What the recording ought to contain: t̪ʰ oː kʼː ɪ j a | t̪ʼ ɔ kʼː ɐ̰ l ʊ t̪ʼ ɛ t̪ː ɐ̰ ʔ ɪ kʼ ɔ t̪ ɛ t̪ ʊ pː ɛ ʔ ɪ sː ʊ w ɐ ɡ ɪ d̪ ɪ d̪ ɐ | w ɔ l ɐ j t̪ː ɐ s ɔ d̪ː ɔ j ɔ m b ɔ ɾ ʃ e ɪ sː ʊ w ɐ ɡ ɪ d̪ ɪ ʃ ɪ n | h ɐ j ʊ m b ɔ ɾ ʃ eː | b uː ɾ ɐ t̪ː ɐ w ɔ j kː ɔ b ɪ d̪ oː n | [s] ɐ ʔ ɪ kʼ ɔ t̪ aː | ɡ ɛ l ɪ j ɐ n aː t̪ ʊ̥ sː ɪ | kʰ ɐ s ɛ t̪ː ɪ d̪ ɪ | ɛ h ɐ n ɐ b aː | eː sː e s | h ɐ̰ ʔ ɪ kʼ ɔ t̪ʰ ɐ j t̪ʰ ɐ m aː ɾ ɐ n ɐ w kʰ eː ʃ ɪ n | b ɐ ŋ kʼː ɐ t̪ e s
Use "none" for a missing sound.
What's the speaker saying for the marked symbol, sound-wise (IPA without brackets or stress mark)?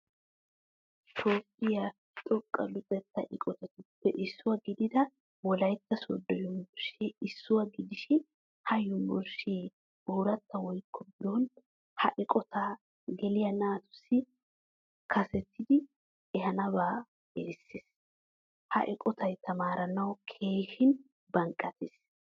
h